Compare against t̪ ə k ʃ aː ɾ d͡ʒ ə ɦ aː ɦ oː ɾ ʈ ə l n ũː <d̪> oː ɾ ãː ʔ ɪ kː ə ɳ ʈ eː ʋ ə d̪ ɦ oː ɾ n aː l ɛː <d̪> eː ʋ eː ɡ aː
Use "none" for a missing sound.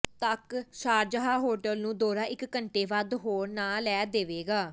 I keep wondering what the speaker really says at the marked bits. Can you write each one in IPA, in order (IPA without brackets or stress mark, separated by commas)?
d̪, d̪